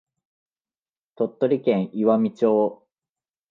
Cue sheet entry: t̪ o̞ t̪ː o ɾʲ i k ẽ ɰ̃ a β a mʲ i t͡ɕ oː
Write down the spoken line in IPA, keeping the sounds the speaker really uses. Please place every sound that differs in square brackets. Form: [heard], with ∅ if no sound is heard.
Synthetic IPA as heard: t̪ o̞ t̪ː o ɾʲ i k ẽ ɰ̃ [i] β a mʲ i t͡ɕ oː